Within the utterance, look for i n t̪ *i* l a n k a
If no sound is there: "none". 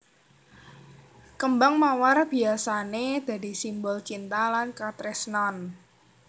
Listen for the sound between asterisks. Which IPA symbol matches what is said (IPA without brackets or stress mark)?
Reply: a